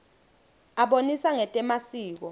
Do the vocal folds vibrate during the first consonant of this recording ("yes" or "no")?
yes